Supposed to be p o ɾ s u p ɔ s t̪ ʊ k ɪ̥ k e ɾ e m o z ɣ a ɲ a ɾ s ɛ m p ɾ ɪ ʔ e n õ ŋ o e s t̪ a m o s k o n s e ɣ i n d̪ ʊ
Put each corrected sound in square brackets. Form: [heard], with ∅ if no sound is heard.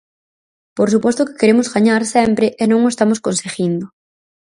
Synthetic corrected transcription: p o ɾ s u p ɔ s t̪ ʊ k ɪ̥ k e ɾ e m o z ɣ a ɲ a ɾ s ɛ m p ɾ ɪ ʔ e n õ ŋ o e s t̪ a m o s k o n s e ɣ i n d̪ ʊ